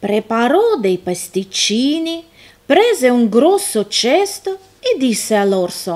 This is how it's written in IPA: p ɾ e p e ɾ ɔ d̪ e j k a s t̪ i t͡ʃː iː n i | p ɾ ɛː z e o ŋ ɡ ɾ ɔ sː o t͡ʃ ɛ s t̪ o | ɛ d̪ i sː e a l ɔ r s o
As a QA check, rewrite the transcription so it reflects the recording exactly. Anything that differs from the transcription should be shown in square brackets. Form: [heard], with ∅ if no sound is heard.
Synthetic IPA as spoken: p ɾ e p [a] ɾ ɔ d̪ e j [p] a s t̪ i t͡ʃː iː n i | p ɾ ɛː z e [u] ŋ ɡ ɾ ɔ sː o t͡ʃ ɛ s t̪ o | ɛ d̪ i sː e a l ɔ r s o

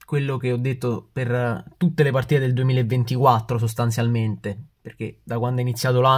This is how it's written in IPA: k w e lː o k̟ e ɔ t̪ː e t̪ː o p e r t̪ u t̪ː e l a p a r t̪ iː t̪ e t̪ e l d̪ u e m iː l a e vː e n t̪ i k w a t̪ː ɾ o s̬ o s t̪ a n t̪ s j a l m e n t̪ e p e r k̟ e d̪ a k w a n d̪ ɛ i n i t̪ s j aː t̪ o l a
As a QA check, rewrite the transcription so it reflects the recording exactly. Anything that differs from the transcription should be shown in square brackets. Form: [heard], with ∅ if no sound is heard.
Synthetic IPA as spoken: k w e lː o k̟ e ɔ [d̪ː] e t̪ː o p e r t̪ u t̪ː e l [e] p a r t̪ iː t̪ e [d̪] e l d̪ u e m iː l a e vː e n t̪ i k w a t̪ː ɾ o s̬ o s t̪ a n t̪ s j a l m e n t̪ e p e r k̟ e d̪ a k w a n d̪ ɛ i n i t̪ s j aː t̪ o l a

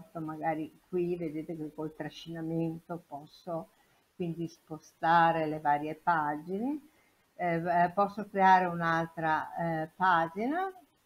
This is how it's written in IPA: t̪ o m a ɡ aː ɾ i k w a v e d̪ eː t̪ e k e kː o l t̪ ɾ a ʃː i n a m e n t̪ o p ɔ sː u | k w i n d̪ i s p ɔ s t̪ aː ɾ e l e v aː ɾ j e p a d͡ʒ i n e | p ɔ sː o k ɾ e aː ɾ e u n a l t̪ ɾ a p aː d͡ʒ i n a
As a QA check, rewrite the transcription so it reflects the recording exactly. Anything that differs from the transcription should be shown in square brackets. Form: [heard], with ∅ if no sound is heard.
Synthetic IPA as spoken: t̪ o m a ɡ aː ɾ i k w [i] v e d̪ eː t̪ e k e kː o l t̪ ɾ a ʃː i n a m e n t̪ o p ɔ sː [o] | k w i n d̪ i s p [o] s t̪ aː ɾ e l e v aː ɾ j e p a d͡ʒ i n e | p ɔ sː o k ɾ e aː ɾ e u n a l t̪ ɾ a p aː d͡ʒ i n a

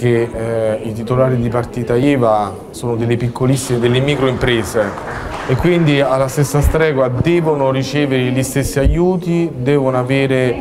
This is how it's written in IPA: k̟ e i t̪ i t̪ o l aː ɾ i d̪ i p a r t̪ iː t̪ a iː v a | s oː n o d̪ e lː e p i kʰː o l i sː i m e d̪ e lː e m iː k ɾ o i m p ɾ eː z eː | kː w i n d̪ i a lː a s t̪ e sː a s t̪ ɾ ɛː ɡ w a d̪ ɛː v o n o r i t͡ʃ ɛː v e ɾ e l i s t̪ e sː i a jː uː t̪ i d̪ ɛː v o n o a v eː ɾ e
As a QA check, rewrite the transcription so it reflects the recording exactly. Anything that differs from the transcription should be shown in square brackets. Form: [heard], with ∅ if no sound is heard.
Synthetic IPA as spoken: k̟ e i t̪ i t̪ o l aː ɾ i d̪ i p a r t̪ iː t̪ a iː v a | s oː n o d̪ e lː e p i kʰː o l i sː i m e d̪ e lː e m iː k ɾ o i m p ɾ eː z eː | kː w i n d̪ i a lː a s t̪ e sː a s t̪ ɾ ɛː ɡ w a d̪ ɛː v o n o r i t͡ʃ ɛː v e ɾ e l i s t̪ e sː i a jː uː t̪ i d̪ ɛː v o n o a v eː ɾ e

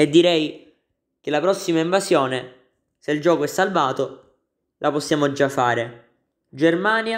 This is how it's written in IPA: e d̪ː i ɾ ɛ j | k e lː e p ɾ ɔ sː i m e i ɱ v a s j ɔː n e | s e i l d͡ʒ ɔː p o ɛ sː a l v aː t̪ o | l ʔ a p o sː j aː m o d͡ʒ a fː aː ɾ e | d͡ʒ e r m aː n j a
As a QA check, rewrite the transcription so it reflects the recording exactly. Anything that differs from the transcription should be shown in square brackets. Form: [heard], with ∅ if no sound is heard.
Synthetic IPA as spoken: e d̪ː i ɾ ɛ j | k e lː [a] p ɾ ɔ sː i m [a] i ɱ v a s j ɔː n e | s e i l d͡ʒ ɔː [k] o ɛ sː a l v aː t̪ o | l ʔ a p o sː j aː m o d͡ʒ a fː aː ɾ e | d͡ʒ e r m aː n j a

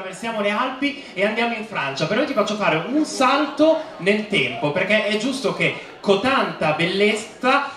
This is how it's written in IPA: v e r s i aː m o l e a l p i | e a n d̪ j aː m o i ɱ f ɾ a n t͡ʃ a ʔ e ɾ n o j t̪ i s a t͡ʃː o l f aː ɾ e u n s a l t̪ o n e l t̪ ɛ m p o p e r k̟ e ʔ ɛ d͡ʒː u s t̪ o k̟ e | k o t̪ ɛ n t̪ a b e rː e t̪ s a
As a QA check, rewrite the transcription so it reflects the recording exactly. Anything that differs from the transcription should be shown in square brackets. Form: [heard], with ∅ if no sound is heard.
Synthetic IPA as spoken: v e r s [j] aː m o l e a l p i | e a n d̪ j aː m o i ɱ f ɾ a n t͡ʃ a [p] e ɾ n o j t̪ i [f] a t͡ʃː o [∅] f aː ɾ e u n s a l t̪ o n e l t̪ ɛ m p o p e r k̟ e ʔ ɛ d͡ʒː u s t̪ o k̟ e | k o t̪ [a] n t̪ a b e [lː] e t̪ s a

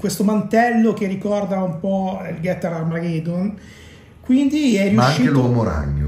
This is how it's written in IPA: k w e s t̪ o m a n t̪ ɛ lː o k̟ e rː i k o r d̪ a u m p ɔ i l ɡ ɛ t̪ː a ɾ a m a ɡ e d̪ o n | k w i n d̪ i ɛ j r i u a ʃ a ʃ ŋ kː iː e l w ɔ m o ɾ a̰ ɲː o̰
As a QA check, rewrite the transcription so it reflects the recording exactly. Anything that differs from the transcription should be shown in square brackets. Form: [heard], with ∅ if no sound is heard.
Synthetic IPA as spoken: k w e s t̪ o m a n t̪ ɛ lː o k̟ e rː i k [ɔ] r d̪ a u m p ɔ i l ɡ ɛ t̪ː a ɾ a m a ɡ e d̪ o n | k w i n d̪ i ɛ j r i u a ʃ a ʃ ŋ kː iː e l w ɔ m o ɾ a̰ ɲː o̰

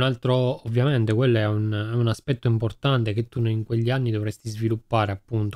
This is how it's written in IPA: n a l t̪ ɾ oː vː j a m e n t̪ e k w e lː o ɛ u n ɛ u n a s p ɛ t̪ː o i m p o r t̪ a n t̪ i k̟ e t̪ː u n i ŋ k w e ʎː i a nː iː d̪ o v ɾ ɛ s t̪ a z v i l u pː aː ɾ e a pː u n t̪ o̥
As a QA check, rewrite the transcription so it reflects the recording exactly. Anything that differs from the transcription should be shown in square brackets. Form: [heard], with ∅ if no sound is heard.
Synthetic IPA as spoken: n a l t̪ ɾ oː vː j a m e n t̪ e k w e lː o ɛ u n ɛ u n a s p ɛ t̪ː o i m p o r t̪ a n t̪ [e] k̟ e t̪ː u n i ŋ k w e ʎː i a nː [i] d̪ o v ɾ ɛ s t̪ [i] z v i l u pː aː ɾ e a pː u n t̪ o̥

